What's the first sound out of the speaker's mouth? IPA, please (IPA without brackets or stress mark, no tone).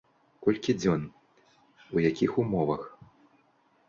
k